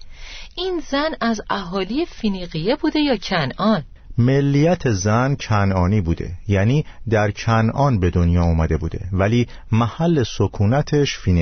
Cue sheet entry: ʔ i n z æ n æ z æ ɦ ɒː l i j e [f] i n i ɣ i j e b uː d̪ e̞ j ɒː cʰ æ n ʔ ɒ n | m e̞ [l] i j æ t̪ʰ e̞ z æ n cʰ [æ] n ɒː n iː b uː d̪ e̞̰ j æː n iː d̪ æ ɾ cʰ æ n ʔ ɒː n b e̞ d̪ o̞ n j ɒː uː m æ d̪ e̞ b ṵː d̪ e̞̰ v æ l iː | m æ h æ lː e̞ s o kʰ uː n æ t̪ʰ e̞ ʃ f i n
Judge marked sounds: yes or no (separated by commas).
yes, no, yes